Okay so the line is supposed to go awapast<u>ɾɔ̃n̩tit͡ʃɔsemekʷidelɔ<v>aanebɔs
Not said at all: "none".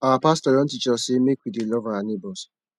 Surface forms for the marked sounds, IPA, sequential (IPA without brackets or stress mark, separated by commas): ɔ, v